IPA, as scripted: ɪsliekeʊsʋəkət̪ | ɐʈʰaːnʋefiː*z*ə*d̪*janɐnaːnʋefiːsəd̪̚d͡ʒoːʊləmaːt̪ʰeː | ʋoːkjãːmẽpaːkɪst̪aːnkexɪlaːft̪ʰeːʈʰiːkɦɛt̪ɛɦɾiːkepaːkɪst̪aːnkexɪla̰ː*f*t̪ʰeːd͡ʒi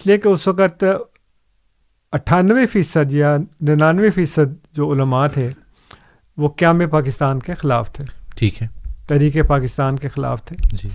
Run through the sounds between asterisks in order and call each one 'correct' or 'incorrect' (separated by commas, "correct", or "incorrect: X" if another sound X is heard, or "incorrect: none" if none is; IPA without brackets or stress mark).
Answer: incorrect: s, correct, correct